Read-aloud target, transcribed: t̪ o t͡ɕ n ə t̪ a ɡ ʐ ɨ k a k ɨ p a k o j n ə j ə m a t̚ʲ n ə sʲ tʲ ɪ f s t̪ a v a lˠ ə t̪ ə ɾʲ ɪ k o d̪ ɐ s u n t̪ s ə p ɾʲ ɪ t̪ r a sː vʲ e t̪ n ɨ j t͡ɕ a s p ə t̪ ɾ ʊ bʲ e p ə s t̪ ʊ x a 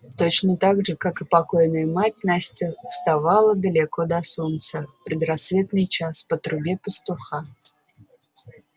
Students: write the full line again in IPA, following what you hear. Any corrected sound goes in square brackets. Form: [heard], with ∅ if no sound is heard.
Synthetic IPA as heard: t̪ o t͡ɕ n ə t̪ a ɡ ʐ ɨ k a k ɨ p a k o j n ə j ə m a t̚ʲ n [a] sʲ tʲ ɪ f s t̪ a v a lˠ ə [d̪] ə [lʲ] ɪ k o d̪ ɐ s u n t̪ s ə p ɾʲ ɪ [d̪] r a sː vʲ e t̪ n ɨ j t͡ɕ a s p ə t̪ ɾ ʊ bʲ e p ə s t̪ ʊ x a